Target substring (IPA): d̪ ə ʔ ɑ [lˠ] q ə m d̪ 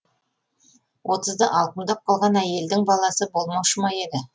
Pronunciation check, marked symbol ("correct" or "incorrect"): correct